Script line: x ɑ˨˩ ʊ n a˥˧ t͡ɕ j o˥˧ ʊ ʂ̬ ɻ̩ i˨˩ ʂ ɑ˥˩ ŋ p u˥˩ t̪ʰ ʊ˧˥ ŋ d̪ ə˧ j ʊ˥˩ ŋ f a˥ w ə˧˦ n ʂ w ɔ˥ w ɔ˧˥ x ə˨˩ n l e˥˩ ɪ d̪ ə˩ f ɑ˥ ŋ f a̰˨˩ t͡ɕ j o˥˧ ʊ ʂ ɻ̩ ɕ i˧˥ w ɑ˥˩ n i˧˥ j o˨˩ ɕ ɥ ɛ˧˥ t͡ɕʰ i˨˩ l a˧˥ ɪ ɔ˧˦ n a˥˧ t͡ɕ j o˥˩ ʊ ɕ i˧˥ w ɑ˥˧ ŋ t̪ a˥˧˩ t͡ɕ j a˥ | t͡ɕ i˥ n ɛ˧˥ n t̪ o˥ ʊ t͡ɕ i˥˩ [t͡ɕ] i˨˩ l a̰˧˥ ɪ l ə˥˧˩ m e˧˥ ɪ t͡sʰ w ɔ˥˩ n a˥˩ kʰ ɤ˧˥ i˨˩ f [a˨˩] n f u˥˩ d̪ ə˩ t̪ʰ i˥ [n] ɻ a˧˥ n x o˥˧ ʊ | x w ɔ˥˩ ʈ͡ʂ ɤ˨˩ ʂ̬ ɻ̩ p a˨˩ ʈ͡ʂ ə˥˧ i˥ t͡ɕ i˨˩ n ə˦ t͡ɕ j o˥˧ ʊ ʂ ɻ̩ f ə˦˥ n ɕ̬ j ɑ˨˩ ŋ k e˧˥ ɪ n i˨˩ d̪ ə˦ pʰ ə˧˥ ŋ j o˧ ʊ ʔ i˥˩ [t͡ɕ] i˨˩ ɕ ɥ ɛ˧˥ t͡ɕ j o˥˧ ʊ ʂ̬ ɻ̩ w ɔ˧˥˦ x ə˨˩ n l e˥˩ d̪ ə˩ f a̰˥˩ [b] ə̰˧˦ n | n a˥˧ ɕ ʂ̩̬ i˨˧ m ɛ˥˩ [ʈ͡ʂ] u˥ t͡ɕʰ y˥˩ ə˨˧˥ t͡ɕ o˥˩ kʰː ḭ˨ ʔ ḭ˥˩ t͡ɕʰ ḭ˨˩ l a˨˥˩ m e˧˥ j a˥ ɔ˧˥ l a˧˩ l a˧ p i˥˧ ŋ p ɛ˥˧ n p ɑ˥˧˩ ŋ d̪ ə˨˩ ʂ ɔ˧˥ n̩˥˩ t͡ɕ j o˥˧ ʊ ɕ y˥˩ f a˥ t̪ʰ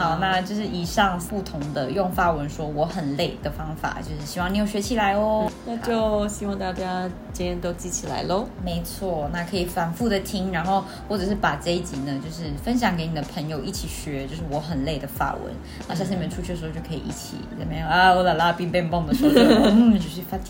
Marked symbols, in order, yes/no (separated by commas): no, yes, no, no, no, no